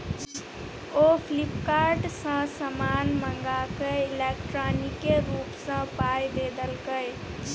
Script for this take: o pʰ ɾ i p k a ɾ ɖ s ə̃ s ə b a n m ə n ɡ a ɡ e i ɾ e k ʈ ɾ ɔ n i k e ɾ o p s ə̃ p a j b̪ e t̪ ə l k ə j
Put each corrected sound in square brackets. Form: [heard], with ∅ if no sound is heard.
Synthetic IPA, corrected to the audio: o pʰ [l] i p k a ɾ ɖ s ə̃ s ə [m] a n m ə [ŋ] ɡ a [k] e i [l] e k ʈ ɾ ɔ n i k e ɾ [u] p s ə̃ p a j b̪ e [d̪] ə l k ə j